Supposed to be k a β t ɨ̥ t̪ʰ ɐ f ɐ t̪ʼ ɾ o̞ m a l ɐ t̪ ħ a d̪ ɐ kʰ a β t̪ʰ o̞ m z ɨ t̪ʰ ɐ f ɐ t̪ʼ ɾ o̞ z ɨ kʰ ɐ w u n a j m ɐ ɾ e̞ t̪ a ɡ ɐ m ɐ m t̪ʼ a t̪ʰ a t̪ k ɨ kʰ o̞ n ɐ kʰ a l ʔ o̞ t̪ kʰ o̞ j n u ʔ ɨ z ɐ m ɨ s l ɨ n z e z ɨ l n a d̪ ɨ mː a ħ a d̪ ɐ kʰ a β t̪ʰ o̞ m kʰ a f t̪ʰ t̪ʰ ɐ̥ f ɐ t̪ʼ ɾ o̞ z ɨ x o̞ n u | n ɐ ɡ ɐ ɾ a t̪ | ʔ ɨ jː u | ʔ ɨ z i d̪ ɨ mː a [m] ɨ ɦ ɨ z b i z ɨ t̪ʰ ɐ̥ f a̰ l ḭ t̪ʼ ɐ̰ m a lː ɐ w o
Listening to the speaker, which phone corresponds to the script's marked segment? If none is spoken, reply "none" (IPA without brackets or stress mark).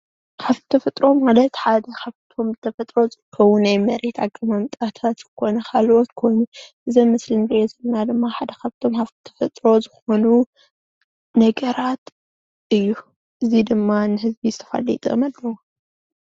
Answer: n